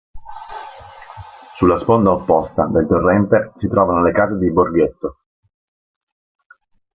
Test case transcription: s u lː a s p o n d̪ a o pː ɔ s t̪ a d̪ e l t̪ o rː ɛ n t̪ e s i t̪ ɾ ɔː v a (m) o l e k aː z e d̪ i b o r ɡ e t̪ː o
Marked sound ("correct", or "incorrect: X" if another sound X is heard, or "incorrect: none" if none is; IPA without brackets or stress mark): incorrect: n